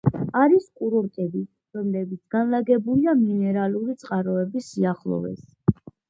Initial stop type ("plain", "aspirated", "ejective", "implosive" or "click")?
ejective